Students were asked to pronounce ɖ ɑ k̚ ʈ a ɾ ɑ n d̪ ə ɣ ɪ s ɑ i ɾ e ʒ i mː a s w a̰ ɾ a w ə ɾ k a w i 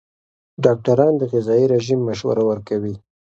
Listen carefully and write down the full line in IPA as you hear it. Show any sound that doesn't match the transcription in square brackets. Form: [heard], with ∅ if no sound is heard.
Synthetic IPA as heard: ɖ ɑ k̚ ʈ a ɾ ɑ n d̪ ə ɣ ɪ [z] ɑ i ɾ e ʒ i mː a [ʃ] w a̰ ɾ a w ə ɾ k a w i